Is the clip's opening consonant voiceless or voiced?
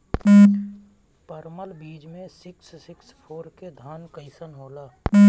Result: voiceless